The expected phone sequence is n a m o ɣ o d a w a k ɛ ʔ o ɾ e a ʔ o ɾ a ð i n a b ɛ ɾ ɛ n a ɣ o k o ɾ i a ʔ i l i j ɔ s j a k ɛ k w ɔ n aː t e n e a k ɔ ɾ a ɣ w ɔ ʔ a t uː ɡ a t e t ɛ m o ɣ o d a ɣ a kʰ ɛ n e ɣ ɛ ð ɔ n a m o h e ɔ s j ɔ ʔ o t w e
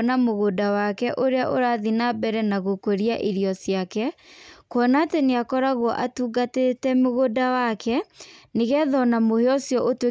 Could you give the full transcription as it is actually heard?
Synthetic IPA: n a m o ɣ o d a w a k ɛ ʔ o ɾ e a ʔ o ɾ a ð i n a b ɛ ɾ ɛ n a ɣ o k o ɾ i a ʔ i ɾ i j ɔ s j a k ɛ k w ɔ n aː t e n e a k ɔ ɾ a ɣ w ɔ ʔ a t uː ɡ a t e t ɛ m o ɣ o d a w a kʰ ɛ n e ɣ ɛ ð ɔ n a m o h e ɔ s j ɔ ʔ o t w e